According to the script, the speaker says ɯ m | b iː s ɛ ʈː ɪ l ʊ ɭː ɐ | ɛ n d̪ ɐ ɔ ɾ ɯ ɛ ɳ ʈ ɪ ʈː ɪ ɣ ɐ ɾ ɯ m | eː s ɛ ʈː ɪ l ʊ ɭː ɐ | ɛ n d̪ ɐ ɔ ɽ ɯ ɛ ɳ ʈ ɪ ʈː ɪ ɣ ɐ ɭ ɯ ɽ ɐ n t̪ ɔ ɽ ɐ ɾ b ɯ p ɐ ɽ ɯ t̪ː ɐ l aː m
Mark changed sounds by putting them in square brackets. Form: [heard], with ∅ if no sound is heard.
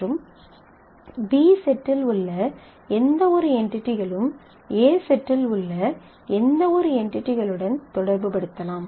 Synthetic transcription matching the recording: ɯ m | b iː s ɛ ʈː ɪ l ʊ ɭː ɐ | ɛ n d̪ ɐ ɔ ɾ ɯ ɛ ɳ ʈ ɪ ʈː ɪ ɣ ɐ [ɭ] ɯ m | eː s ɛ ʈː ɪ l ʊ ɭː ɐ | ɛ n d̪ ɐ ɔ [ɾ] ɯ ɛ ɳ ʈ ɪ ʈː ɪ ɣ ɐ ɭ ɯ ɽ ɐ n t̪ ɔ ɽ ɐ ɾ b ɯ p ɐ ɽ ɯ t̪ː ɐ l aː m